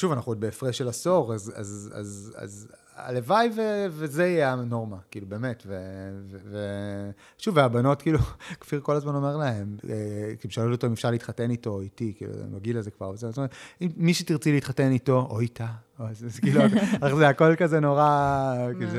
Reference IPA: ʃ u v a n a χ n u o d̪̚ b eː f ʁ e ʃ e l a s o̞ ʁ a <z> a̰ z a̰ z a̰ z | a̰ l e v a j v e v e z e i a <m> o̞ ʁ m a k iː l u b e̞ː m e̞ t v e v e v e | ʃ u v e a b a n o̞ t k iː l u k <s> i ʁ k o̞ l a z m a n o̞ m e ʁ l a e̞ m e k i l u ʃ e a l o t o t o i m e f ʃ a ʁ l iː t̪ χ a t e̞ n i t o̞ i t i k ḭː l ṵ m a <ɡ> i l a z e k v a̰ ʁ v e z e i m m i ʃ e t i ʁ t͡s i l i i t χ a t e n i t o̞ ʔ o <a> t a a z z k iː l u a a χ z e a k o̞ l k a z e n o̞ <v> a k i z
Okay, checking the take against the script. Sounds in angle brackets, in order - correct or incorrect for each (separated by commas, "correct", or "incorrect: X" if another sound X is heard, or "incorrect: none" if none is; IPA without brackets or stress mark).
correct, incorrect: n, incorrect: f, correct, incorrect: i, incorrect: ʁ